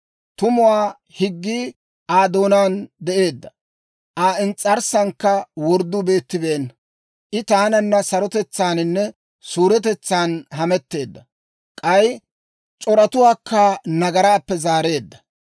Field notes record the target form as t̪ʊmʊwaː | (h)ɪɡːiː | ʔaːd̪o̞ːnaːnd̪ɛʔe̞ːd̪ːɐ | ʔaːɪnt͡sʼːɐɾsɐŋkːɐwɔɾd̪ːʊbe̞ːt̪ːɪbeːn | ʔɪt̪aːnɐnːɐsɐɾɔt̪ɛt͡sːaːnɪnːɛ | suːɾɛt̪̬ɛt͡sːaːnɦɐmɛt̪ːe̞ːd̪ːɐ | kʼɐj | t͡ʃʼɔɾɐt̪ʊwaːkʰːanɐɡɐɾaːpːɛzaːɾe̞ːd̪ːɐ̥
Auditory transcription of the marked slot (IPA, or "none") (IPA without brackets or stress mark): h